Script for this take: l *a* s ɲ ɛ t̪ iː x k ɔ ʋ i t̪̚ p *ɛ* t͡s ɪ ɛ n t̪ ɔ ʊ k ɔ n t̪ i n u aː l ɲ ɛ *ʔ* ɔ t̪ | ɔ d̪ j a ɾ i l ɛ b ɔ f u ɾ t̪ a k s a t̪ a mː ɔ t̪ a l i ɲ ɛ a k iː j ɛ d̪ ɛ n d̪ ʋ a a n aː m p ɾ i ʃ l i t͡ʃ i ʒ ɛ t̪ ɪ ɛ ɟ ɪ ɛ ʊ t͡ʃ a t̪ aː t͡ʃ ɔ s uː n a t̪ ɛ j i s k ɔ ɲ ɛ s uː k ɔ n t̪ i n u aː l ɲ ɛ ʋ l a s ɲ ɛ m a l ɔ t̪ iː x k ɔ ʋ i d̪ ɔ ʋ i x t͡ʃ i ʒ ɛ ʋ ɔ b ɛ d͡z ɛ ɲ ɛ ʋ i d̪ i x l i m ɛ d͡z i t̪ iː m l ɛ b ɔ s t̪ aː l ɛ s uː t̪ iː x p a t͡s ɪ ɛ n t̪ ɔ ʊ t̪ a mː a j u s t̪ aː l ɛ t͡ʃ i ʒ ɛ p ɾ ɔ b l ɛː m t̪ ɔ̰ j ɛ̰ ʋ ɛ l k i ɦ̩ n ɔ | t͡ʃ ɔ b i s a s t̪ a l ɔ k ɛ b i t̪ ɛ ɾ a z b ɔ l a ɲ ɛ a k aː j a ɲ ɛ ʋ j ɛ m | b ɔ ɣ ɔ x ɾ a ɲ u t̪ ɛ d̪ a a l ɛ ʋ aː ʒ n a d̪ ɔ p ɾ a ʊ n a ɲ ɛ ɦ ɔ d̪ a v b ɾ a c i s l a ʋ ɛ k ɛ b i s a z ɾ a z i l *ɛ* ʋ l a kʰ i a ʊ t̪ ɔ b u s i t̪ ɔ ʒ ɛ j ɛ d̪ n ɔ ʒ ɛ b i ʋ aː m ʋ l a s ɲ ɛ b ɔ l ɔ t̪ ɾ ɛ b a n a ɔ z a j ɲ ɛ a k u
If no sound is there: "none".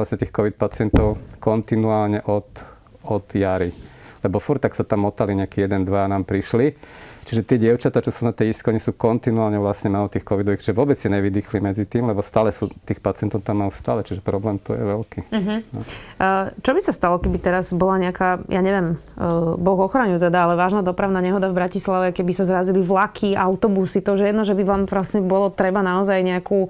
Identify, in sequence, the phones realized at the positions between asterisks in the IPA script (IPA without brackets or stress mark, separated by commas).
a, a, ʔ, i